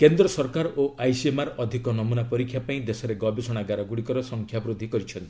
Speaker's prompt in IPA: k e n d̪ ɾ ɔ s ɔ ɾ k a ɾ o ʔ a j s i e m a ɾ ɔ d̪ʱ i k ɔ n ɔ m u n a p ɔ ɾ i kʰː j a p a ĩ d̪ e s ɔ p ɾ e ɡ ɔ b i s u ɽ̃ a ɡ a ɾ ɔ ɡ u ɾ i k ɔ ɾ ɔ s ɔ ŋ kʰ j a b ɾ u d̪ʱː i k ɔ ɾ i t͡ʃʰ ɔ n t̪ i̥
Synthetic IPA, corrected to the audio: k e n d̪ ɾ ɔ s ɔ ɾ k a ɾ o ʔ a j s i e m a ɾ ɔ d̪ʱ i k ɔ n ɔ m u n a p ɔ ɾ i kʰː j a p a ĩ d̪ e s ɔ ɾ e ɡ ɔ b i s ɔ ɽ̃ a ɡ a ɾ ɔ ɡ u ɽ i k ɔ ɾ ɔ s ɔ ŋ kʰ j a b ɾ u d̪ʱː i k ɔ ɾ i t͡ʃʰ ɔ n t̪ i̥